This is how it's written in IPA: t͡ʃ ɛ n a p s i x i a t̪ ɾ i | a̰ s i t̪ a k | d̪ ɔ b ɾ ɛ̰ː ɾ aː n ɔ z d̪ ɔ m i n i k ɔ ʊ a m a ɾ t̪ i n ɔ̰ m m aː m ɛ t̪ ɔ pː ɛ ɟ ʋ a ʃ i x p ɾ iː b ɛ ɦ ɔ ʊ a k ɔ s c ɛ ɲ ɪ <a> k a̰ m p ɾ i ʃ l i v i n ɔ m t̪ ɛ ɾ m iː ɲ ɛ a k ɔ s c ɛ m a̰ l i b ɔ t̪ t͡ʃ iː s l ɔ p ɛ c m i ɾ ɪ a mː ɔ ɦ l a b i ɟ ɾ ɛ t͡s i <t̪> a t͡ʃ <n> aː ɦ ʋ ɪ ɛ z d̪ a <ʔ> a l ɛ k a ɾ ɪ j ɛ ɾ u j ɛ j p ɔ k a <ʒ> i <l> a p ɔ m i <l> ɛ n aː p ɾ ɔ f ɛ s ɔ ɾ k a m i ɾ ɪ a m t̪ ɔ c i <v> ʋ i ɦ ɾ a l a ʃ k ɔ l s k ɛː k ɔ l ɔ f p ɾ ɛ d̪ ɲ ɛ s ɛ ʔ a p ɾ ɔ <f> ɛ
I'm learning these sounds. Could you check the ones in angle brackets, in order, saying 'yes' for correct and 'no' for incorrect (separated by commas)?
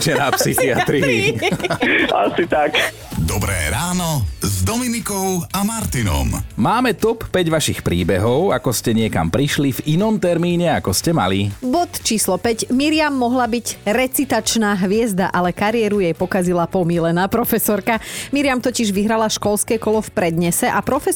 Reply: no, yes, yes, yes, no, yes, yes, no, yes